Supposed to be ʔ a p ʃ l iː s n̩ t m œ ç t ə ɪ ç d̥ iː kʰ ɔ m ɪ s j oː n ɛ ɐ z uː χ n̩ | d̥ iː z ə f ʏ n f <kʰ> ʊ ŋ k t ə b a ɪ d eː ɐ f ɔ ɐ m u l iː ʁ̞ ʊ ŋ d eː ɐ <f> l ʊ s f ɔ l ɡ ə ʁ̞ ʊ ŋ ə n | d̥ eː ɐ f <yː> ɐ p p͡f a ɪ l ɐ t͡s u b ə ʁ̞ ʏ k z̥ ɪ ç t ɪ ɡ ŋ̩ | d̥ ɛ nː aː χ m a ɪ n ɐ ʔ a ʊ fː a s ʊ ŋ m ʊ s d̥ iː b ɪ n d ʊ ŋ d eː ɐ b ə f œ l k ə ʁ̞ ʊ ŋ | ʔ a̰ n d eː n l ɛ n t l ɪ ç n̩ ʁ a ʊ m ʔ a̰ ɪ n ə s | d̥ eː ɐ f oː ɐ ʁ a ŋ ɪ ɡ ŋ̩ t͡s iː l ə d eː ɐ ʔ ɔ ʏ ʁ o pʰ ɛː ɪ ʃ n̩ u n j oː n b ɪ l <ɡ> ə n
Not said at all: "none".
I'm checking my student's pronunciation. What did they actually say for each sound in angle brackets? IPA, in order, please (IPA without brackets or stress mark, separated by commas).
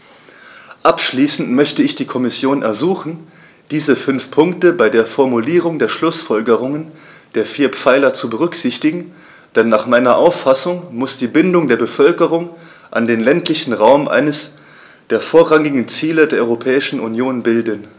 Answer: pʰ, ʃ, iː, d